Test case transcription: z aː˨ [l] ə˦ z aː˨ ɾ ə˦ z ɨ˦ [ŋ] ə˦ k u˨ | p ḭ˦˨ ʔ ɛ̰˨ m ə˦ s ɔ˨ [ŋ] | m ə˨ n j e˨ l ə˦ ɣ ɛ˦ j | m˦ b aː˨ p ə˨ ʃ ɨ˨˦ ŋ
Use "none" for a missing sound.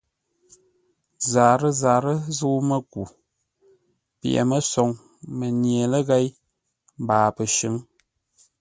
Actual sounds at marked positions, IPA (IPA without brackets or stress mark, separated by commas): ɾ, m, ŋ